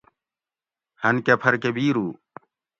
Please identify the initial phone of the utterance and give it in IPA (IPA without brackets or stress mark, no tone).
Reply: h